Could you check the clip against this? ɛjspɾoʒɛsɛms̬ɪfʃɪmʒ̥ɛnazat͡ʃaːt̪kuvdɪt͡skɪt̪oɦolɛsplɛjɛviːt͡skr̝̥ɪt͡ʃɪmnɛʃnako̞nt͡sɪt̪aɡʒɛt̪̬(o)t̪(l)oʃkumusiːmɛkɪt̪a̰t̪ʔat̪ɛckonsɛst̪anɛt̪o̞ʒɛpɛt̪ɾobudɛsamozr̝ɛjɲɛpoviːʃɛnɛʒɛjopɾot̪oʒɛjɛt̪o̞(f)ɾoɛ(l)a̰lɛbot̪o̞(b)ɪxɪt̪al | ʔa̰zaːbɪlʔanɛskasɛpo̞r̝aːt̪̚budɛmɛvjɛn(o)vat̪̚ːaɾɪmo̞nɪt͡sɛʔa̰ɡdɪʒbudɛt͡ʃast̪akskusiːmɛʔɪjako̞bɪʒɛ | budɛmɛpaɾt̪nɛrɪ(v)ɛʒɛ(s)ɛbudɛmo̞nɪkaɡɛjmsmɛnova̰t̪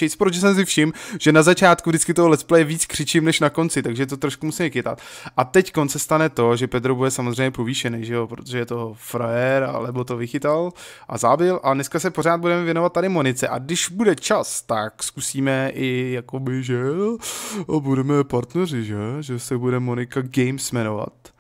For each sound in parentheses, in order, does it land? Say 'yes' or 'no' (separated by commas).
yes, no, yes, no, no, yes, no, yes